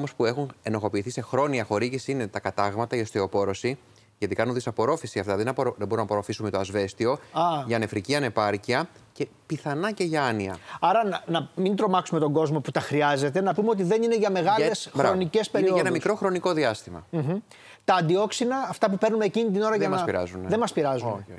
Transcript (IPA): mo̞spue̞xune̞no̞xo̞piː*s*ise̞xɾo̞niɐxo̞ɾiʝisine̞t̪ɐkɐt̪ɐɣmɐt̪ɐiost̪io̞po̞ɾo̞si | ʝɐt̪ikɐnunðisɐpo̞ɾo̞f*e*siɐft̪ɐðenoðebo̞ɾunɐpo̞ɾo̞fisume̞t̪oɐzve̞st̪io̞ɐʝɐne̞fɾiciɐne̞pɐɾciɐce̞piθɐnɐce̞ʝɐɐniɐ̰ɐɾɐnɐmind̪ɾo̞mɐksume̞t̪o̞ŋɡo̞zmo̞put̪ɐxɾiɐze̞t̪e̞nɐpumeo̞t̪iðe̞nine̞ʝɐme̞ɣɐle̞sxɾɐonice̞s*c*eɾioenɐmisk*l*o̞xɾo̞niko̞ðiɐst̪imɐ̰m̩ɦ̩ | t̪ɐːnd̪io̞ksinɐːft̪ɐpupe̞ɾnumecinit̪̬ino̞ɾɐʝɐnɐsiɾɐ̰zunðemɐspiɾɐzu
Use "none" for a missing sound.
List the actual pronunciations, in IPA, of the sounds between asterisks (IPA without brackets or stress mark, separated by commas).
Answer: θ, i, p, ɾ